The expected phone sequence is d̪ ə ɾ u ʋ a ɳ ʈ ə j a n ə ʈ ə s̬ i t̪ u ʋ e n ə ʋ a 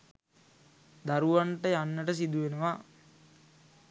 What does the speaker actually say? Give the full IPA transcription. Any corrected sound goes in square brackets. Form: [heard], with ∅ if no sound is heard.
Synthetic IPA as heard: d̪ [a] ɾ u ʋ a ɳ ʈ ə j a [nː] ə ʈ ə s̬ i [d̪] u ʋ e n ə ʋ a

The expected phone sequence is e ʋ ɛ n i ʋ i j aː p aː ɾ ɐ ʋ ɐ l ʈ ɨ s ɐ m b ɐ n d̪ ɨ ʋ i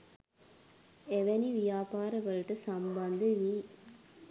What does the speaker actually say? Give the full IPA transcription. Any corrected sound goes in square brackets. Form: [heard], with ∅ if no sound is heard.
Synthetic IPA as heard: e ʋ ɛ n i ʋ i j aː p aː ɾ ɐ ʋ ɐ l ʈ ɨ s ɐ m b ɐ n d̪ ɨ ʋ i

